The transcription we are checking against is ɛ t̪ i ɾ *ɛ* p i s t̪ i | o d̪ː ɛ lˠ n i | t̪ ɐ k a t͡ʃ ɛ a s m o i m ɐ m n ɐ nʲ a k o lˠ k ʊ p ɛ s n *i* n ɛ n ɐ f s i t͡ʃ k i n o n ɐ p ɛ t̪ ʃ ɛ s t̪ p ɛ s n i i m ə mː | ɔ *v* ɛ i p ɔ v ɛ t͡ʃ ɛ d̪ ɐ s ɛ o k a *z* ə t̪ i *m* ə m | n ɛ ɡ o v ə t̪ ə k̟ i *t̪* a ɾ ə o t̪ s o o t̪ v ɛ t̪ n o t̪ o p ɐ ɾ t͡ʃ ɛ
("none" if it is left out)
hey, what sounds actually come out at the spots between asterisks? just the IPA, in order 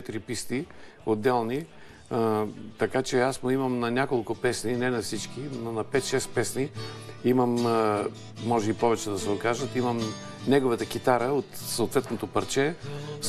i, i, ʒ, ʒ, m, t̪

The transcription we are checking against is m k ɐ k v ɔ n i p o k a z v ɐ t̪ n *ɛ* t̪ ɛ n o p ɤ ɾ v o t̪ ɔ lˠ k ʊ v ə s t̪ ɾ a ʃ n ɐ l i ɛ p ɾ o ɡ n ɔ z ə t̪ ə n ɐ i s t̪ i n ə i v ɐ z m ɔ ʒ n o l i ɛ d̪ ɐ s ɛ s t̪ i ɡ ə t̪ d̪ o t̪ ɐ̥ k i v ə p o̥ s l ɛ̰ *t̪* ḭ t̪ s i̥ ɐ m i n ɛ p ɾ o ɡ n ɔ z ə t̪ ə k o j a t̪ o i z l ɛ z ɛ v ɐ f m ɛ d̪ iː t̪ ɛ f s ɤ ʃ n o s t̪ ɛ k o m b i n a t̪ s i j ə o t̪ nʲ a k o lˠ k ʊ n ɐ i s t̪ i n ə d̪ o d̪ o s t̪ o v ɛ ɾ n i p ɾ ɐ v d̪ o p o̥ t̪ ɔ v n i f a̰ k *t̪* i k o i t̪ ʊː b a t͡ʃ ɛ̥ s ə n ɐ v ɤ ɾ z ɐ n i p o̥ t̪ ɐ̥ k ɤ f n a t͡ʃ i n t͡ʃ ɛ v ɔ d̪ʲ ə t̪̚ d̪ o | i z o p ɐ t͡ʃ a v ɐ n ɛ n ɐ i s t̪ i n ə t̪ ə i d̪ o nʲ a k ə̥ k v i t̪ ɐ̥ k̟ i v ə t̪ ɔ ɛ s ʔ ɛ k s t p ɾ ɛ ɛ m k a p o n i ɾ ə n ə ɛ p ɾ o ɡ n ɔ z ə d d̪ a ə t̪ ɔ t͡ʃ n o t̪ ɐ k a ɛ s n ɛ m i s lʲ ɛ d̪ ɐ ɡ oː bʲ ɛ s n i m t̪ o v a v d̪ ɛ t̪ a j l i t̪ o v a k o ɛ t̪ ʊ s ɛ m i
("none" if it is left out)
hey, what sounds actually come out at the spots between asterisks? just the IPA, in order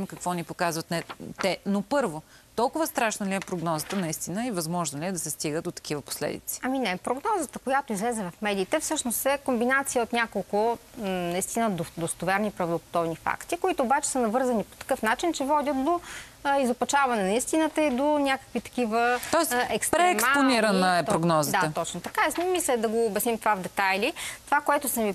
ɛ, d̪, t̪

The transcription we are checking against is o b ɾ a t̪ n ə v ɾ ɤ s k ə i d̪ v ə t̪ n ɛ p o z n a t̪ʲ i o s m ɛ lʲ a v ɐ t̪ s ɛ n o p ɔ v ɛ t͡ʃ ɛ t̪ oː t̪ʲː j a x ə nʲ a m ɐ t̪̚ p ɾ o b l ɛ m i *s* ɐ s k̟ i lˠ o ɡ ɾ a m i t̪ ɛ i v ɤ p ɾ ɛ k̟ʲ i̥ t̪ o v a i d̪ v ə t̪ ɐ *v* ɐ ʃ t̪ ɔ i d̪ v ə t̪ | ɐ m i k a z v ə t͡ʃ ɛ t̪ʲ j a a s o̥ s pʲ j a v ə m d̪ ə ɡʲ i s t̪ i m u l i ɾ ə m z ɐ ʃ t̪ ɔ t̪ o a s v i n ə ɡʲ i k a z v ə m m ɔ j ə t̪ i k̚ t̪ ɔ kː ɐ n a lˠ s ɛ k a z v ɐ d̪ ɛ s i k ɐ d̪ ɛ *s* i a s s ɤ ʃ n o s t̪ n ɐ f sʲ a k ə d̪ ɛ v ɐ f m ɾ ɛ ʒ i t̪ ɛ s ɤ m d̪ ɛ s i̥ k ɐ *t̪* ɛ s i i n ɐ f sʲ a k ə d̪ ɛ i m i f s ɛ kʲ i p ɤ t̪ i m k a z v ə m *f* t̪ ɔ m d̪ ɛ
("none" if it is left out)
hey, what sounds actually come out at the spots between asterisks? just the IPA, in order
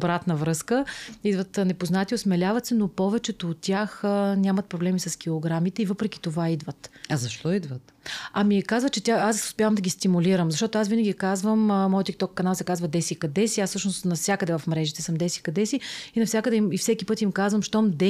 s, z, s, d̪, ʃ

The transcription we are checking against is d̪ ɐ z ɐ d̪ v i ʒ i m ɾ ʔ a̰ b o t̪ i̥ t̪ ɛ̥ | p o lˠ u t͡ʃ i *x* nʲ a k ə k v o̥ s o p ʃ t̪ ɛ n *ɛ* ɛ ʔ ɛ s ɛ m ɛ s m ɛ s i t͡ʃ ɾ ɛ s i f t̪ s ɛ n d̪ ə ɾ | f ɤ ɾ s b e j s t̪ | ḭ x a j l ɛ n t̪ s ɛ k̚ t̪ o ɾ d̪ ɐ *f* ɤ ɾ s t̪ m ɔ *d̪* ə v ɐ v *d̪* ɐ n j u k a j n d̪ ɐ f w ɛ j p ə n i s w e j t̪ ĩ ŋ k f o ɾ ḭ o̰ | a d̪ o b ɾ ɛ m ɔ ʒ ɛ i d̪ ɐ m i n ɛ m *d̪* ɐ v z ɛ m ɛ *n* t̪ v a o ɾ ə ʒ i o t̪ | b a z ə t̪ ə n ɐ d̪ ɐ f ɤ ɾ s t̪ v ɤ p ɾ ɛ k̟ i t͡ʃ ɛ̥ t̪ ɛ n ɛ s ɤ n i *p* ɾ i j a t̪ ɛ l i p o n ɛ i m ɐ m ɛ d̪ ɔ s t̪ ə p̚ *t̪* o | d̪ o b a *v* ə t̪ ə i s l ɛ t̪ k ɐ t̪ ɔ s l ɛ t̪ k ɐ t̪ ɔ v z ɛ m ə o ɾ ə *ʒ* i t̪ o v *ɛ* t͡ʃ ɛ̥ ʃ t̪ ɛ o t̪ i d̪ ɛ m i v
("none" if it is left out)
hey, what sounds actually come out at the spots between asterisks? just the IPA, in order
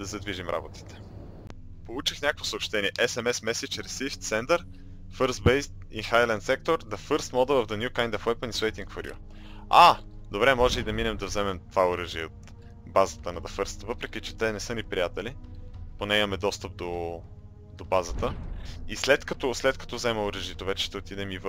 x, i, f, d̪, d̪, d̪, m, p, d̪, z, ʒ, ɛ

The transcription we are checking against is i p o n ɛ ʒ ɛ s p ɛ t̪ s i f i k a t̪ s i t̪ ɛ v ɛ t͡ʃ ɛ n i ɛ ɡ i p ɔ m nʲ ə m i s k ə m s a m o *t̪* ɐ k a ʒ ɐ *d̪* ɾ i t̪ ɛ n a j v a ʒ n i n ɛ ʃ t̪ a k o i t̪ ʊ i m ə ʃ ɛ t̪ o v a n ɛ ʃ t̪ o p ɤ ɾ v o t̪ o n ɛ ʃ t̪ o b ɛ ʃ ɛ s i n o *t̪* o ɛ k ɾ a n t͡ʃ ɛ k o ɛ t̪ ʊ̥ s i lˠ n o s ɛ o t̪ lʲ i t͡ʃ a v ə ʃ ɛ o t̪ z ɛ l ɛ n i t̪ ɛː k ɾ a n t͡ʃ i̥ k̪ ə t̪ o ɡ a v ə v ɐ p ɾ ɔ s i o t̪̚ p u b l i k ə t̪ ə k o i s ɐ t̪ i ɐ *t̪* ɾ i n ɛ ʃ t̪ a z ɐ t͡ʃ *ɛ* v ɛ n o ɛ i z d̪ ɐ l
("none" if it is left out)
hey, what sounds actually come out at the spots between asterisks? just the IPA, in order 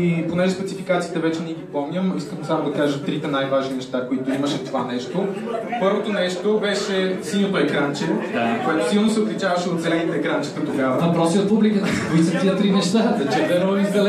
d̪, t̪, t̪, t̪, ɛ

